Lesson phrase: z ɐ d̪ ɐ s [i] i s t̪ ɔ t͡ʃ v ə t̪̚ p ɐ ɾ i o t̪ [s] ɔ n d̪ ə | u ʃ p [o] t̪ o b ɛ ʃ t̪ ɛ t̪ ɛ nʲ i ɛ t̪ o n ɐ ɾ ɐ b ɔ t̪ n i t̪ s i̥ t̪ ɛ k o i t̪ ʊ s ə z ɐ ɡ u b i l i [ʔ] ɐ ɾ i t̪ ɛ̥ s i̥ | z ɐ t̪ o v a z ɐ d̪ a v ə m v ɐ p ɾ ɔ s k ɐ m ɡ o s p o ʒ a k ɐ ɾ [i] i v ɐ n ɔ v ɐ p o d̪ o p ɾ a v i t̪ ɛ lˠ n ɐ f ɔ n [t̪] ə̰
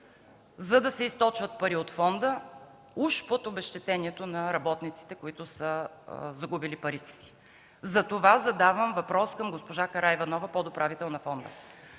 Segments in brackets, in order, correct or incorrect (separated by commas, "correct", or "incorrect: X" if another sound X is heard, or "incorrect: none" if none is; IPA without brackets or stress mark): incorrect: ɛ, incorrect: f, correct, incorrect: p, incorrect: a, incorrect: d̪